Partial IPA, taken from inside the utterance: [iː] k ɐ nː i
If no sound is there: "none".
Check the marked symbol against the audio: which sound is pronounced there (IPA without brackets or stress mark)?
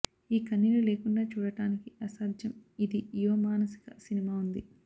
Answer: iː